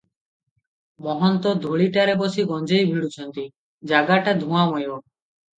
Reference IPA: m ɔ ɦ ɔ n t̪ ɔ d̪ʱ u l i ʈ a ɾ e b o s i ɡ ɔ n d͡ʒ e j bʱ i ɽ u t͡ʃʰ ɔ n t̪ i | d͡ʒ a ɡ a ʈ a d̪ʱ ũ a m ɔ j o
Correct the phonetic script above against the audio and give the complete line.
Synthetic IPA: m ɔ ɦ ɔ n t̪ ɔ d̪ʱ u ɭ i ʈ a ɾ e b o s i ɡ ɔ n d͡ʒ e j bʱ i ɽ u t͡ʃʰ ɔ n t̪ i | d͡ʒ a ɡ a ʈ a d̪ʱ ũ a m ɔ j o